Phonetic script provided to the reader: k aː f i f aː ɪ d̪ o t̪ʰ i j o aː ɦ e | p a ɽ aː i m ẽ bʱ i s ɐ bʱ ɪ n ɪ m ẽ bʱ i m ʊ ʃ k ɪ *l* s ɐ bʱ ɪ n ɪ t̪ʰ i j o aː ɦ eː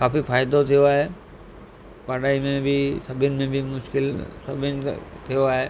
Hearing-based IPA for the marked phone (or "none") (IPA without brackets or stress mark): l